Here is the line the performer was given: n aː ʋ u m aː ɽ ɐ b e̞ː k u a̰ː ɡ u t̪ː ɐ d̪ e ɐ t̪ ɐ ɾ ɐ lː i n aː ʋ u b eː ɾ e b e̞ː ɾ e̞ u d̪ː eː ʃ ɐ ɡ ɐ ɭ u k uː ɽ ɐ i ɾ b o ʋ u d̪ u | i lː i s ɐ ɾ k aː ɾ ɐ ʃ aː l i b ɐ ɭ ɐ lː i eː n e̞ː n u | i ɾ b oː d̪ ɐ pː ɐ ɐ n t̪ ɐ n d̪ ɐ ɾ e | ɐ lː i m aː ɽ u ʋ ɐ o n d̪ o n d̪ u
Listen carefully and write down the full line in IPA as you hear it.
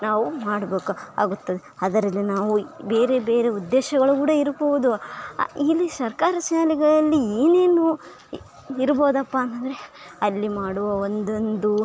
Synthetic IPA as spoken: n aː ʋ u m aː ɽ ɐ b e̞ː k u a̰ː ɡ u t̪ː ɐ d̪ e ɐ d̪ ɐ ɾ ɐ lː i n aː ʋ u b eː ɾ e b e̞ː ɾ e̞ u d̪ː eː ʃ ɐ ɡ ɐ ɭ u k uː ɽ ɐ i ɾ b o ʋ u d̪ u | i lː i s ɐ ɾ k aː ɾ ɐ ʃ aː l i ɡ ɐ ɭ ɐ lː i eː n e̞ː n u | i ɾ b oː d̪ ɐ pː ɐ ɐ n t̪ ɐ n d̪ ɐ ɾ e | ɐ lː i m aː ɽ u ʋ ɐ o n d̪ o n d̪ u